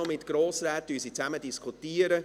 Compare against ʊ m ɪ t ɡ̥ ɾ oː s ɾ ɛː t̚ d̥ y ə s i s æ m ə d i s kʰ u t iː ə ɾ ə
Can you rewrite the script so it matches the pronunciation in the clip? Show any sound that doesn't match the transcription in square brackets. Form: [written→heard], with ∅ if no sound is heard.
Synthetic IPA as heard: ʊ m ɪ t ɡ̥ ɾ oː s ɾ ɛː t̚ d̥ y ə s i [s→t͡s] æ m ə d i s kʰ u t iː ə ɾ ə

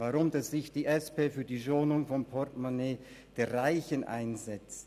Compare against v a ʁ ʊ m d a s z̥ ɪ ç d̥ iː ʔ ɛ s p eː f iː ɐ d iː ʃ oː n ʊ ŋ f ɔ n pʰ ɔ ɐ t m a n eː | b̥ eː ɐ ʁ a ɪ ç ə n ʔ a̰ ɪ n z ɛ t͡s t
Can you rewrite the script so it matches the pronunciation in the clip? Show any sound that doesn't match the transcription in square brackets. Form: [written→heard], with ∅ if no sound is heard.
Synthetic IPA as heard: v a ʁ ʊ m d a s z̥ ɪ ç d̥ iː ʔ ɛ s p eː f [iː→yː] ɐ d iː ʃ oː n ʊ ŋ f ɔ n pʰ ɔ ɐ t m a n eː | [b̥→d̥] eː ɐ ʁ a ɪ ç ə n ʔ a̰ ɪ n z ɛ t͡s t

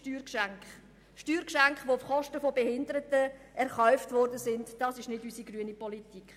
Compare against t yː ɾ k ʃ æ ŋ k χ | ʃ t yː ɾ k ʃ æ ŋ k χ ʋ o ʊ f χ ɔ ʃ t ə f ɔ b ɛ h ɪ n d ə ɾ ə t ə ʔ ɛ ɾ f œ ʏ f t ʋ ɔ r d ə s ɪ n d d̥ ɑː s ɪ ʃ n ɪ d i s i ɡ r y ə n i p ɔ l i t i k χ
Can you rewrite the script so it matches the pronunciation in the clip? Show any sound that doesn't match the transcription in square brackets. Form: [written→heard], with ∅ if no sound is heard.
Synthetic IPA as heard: t yː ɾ k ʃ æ ŋ k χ | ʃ t yː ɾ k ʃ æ ŋ k χ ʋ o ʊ f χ ɔ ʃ t ə f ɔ b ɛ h ɪ n d ə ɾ ə t ə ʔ ɛ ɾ [f→χ] œ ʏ f t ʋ ɔ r d ə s ɪ n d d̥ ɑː s ɪ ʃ n ɪ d [i→y] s i ɡ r y ə n i p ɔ l i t i k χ

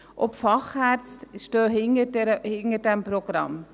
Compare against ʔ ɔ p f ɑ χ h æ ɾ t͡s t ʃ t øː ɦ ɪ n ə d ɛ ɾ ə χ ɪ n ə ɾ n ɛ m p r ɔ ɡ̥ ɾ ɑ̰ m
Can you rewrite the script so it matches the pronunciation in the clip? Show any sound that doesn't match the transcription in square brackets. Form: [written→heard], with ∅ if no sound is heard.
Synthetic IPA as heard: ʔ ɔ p f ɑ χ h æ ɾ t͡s t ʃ t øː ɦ ɪ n ə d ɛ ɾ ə [χ→h] ɪ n ə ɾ [n→d] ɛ m p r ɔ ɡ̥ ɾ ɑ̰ m

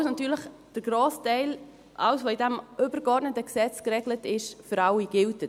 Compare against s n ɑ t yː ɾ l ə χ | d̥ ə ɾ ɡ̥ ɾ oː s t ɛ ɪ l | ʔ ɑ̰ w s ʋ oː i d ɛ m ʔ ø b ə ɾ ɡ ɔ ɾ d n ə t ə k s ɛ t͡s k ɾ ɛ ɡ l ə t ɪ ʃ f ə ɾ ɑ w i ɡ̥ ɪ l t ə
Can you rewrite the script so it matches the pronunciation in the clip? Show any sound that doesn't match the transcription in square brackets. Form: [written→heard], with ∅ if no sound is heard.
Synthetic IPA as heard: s n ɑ t yː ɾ l ə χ | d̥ ə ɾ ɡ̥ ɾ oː s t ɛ ɪ l | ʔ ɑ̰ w s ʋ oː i d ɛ m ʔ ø b ə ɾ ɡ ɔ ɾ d n ə t ə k s ɛ t͡s k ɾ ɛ ɡ l ə t ɪ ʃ f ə ɾ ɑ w i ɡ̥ ɪ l t ə

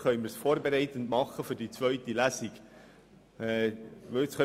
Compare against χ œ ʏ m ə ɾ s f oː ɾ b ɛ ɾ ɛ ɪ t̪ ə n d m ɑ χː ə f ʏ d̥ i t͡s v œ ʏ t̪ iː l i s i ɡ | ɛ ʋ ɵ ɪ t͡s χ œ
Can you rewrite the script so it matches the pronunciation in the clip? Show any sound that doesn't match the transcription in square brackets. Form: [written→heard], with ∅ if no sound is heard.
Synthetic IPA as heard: χ œ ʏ m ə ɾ s f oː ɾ b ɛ ɾ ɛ ɪ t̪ ə n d m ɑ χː ə f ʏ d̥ i t͡s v œ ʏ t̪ [iː→i] l [i→æ] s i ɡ | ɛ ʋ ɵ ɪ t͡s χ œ

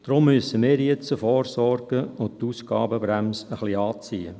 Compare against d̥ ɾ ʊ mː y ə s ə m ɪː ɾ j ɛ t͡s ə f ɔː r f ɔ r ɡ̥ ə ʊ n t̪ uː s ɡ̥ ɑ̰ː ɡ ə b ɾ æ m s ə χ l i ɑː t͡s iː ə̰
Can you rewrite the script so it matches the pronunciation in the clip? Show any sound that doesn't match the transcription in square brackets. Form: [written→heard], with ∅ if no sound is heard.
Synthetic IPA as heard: d̥ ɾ ʊ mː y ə s ə m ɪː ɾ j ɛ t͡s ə f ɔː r [f→s] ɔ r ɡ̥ ə ʊ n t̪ uː s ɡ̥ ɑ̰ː [ɡ→b] ə b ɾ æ m s ə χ l i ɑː t͡s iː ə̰

